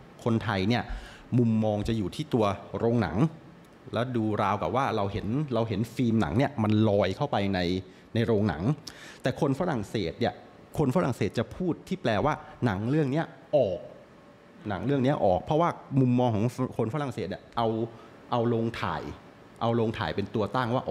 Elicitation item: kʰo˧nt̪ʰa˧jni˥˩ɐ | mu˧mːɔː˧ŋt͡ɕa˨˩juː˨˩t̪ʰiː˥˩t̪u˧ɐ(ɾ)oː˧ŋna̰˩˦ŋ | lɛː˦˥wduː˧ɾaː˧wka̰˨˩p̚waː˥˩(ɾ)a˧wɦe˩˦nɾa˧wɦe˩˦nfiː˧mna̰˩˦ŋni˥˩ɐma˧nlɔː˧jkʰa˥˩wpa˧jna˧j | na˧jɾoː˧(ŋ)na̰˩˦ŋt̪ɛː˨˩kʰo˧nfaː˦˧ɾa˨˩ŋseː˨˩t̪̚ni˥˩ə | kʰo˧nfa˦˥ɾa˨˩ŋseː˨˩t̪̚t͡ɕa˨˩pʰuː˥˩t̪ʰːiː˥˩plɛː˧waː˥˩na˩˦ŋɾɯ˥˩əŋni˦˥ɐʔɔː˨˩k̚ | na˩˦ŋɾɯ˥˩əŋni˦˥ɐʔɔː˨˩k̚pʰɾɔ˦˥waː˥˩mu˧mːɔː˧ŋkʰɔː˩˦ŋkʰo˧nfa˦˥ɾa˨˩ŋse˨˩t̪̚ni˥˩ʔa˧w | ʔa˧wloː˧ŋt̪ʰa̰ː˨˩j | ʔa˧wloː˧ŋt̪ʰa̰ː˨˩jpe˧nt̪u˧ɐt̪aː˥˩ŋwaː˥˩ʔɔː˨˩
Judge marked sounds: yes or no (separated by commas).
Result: yes, yes, yes